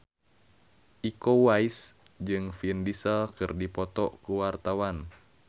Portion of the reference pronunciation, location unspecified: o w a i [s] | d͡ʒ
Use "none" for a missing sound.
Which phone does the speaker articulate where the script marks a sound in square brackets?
s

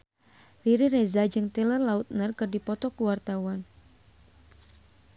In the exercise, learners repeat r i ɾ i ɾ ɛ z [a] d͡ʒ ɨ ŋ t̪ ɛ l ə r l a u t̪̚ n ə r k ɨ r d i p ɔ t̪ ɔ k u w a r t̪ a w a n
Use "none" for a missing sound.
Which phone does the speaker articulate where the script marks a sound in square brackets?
a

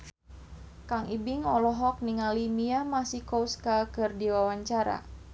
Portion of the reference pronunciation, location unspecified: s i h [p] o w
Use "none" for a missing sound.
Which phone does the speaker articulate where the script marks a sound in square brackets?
k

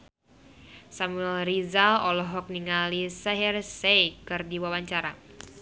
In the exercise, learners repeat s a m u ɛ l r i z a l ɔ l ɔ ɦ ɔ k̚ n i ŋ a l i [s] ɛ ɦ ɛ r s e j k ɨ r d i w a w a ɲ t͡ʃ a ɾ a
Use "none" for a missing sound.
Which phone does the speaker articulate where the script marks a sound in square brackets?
s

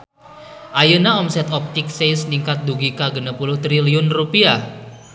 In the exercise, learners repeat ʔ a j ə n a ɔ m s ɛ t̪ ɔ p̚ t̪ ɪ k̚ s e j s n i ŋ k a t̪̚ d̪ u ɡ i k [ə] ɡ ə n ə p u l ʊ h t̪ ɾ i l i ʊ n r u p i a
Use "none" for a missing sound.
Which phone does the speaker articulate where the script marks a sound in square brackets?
a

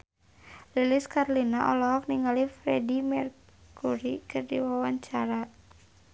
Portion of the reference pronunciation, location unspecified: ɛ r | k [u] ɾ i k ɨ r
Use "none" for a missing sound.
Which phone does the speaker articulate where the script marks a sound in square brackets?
u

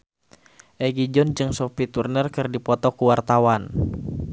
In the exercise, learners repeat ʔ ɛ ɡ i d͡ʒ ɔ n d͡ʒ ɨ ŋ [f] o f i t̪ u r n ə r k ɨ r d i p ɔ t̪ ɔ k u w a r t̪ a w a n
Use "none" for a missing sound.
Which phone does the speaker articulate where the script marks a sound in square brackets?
s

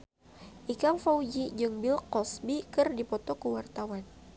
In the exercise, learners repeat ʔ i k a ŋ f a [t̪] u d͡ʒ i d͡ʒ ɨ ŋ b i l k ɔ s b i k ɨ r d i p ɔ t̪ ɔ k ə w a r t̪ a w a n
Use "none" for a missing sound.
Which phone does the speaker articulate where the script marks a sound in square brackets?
none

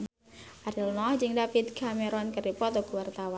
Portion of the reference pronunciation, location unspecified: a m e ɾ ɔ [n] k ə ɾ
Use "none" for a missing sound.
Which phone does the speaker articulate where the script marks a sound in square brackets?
n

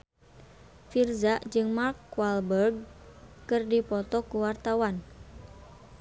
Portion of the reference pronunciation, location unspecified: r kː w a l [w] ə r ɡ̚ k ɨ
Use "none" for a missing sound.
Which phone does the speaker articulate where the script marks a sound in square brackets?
b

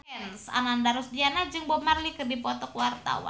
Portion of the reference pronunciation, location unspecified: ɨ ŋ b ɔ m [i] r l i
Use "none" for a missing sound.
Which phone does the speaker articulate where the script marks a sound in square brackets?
a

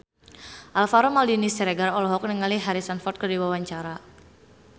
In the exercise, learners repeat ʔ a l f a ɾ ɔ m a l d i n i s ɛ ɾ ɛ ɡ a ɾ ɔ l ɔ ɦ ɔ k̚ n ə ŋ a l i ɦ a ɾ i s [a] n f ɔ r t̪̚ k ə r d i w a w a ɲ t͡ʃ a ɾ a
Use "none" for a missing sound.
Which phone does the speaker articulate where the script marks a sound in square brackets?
a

